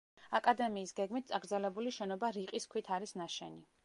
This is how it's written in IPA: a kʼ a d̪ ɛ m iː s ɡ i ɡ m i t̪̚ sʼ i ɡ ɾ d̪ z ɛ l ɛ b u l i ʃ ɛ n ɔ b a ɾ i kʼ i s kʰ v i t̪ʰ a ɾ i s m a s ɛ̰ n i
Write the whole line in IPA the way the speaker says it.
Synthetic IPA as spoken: a kʼ a d̪ ɛ m iː s ɡ ɛ ɡ m i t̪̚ sʼ a ɡ ɾ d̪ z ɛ l ɛ b u l i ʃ ɛ n ɔ b a ɾ i qʼ i s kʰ w i t̪ʰ a ɾ i s n a ʃ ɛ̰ n i